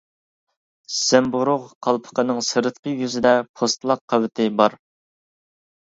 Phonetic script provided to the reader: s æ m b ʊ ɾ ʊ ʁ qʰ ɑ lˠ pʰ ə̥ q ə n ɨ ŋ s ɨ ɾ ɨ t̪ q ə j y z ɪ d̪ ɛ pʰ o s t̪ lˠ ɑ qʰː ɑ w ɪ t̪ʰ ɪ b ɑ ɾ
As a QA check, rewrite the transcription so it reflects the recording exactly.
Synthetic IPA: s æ m b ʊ ɾ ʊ ʁ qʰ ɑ lˠ pʰ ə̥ q ə n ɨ ŋ s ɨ ɾ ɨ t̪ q ə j y z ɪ d̪ ɛ pʰ o s t̪ lˠ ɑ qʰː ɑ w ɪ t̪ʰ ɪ b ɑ ɾ